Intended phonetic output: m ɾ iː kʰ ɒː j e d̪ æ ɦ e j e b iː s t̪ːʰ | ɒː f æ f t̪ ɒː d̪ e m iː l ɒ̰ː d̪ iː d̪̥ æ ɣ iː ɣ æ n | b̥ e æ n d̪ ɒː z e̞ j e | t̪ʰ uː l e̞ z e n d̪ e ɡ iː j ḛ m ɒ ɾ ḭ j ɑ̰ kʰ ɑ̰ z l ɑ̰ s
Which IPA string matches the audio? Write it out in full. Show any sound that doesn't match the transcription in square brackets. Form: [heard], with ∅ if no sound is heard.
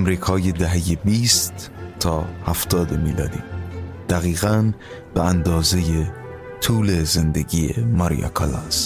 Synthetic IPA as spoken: m ɾ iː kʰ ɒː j e d̪ æ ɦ e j e b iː s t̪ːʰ | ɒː [h] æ f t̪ ɒː d̪ e m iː l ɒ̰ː d̪ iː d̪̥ æ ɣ iː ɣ æ n | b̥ e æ n d̪ ɒː z e̞ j e | t̪ʰ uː l e̞ z e n d̪ e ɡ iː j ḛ m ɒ ɾ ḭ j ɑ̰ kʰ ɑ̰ [∅] l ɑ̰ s